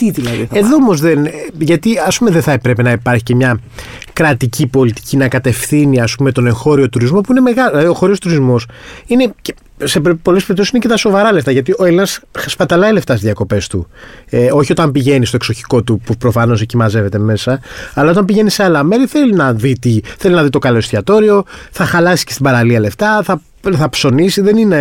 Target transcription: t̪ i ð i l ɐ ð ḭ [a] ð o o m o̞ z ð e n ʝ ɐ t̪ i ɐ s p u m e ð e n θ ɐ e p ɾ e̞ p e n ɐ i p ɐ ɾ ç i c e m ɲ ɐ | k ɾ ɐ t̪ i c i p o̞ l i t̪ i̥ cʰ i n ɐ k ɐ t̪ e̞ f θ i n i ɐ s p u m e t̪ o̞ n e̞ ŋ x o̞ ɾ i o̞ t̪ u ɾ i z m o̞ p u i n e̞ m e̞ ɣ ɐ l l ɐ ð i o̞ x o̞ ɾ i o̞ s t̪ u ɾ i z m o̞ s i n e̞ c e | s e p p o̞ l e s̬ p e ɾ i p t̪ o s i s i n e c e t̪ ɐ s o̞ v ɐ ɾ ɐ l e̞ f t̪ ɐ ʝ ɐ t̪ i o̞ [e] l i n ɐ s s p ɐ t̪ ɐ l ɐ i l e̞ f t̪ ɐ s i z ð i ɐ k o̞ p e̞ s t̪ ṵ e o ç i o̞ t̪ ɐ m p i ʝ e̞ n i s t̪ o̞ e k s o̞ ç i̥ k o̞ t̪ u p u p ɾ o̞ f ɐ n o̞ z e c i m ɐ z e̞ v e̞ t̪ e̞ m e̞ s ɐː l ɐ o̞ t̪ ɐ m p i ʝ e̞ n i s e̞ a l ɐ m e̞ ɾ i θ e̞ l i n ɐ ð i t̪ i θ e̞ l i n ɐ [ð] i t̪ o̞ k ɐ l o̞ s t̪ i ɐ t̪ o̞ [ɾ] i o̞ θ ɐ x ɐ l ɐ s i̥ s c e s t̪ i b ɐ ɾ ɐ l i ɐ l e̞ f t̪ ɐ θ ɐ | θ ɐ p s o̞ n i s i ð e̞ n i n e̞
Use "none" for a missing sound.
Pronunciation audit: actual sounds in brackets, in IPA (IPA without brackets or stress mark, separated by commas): e, e, ð, ɾ